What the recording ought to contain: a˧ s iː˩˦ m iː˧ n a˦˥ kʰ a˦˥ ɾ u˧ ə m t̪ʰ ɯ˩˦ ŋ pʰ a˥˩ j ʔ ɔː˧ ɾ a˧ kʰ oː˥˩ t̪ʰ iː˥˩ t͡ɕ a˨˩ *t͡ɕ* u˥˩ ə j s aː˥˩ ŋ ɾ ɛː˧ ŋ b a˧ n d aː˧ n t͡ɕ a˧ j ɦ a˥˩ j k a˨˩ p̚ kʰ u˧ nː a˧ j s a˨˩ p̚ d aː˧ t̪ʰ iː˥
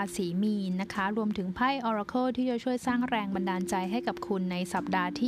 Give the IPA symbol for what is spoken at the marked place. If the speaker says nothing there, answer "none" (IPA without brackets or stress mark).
t͡ɕʰ